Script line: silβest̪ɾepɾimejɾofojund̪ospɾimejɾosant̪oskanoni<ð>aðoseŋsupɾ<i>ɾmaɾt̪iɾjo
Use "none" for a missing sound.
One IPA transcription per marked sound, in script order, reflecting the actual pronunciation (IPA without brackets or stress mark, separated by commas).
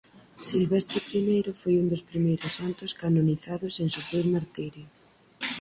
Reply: θ, i